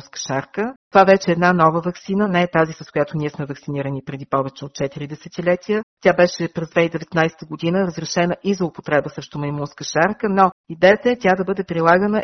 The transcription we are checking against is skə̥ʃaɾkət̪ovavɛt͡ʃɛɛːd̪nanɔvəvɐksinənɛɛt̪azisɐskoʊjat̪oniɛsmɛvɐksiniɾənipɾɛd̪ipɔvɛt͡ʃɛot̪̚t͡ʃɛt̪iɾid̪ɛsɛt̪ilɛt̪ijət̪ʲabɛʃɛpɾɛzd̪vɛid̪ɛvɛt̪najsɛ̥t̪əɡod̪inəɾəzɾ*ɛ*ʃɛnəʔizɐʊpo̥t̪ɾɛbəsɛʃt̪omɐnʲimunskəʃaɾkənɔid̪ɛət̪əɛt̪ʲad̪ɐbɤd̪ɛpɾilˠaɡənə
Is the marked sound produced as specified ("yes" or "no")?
yes